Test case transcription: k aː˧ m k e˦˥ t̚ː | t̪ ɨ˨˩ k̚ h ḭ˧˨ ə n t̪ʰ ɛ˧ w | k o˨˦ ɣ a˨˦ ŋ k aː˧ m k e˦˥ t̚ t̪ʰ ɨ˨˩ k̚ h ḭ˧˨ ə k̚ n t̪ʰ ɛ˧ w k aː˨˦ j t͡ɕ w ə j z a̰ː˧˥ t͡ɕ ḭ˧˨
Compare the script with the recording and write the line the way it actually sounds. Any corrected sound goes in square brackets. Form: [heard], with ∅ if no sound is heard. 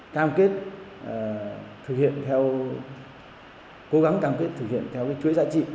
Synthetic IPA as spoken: k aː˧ m k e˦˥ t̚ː | [t̪ʰ] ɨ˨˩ k̚ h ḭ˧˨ ə n t̪ʰ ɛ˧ w | k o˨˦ ɣ a˨˦ ŋ k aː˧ m k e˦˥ t̚ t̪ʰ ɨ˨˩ k̚ h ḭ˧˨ ə [∅] n t̪ʰ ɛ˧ w k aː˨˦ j t͡ɕ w ə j z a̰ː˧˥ t͡ɕ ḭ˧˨

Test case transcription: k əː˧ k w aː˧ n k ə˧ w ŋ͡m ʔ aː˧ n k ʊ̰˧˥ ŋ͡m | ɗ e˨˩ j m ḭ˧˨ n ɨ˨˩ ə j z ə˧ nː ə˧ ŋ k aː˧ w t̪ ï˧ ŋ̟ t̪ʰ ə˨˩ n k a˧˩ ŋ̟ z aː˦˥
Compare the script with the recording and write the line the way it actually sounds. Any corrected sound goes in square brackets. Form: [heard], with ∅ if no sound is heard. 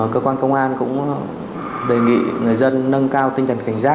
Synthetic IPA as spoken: k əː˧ k w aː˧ n k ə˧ w ŋ͡m ʔ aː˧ n k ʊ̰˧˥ ŋ͡m | ɗ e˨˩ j [ŋ] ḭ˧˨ [ŋ] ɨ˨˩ ə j z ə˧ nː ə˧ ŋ k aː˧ w t̪ ï˧ ŋ̟ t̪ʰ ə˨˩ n k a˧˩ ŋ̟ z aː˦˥

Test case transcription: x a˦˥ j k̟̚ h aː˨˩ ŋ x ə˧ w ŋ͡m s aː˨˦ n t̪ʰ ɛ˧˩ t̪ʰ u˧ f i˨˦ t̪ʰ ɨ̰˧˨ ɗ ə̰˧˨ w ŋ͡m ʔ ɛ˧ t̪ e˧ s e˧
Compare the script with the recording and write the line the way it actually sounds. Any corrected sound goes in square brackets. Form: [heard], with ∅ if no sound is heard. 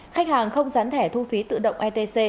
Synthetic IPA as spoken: x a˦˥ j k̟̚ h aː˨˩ ŋ x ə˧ w ŋ͡m [z] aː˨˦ n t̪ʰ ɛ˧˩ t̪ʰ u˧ f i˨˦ [t̪] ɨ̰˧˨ ɗ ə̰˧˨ w ŋ͡m ʔ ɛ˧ t̪ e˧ s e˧

